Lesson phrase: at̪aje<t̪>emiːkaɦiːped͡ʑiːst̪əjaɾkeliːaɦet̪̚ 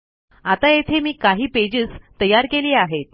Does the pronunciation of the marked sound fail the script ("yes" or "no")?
yes